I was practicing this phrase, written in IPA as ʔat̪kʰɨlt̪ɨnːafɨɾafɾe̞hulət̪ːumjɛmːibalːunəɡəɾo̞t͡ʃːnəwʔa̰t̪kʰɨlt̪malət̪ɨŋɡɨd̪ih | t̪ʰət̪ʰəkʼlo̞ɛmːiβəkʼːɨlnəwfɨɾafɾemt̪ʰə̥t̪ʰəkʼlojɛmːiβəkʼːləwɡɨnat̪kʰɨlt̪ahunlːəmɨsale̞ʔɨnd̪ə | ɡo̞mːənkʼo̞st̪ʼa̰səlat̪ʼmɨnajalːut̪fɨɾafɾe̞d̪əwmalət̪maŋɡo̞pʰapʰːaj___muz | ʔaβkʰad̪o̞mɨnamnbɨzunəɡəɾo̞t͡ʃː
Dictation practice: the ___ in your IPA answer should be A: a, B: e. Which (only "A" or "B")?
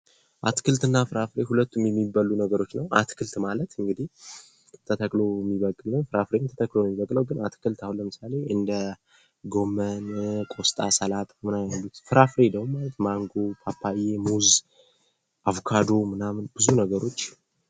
B